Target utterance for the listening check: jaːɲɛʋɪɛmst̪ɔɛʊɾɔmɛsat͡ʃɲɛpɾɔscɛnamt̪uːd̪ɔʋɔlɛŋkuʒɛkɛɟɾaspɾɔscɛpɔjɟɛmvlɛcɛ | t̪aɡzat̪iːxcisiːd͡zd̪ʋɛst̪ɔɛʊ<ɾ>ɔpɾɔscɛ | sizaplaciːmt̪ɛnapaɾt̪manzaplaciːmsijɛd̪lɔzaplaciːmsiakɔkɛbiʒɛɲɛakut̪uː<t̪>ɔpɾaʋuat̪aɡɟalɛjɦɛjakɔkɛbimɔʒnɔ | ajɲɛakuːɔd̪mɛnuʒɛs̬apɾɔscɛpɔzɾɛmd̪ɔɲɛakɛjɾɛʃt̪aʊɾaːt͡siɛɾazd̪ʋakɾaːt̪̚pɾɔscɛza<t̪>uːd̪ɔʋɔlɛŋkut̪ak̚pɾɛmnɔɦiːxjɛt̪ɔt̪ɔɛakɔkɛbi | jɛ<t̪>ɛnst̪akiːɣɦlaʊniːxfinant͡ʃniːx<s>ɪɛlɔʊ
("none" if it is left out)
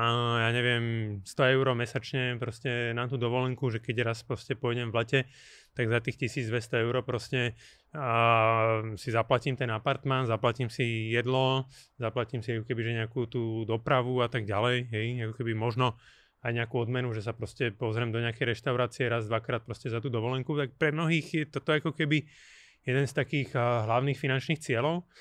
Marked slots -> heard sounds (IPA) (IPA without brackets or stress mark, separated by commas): ɾ, d̪, t̪, d̪, t͡s